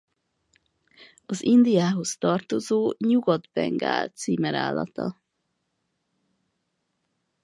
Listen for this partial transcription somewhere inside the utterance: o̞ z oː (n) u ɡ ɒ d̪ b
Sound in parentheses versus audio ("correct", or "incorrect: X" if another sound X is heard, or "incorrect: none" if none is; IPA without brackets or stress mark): incorrect: ɲ